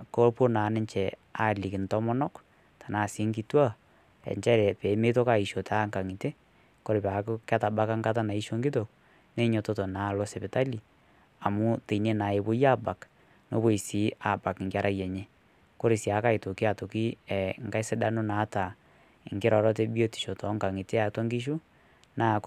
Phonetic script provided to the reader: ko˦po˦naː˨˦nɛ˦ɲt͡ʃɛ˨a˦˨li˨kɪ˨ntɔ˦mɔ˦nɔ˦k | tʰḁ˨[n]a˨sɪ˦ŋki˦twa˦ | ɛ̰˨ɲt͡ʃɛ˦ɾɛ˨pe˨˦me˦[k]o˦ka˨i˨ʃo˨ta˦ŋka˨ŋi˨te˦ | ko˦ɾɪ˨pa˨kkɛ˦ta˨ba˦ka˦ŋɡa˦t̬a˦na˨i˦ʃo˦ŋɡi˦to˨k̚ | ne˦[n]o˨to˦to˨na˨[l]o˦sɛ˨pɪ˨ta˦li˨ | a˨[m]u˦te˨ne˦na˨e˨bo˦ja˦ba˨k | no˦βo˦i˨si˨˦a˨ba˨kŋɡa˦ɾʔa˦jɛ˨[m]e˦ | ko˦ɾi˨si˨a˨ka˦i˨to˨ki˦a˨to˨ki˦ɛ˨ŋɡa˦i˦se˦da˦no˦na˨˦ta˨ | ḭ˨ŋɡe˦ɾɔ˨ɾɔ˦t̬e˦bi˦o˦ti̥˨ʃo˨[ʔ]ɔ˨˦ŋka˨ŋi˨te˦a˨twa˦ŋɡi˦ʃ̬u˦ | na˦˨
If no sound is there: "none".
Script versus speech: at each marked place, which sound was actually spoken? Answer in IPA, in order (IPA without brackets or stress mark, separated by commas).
n, t, ɲ, l, m, ɲ, t